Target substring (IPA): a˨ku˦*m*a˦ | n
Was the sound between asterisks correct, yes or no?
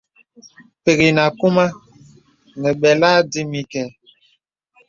yes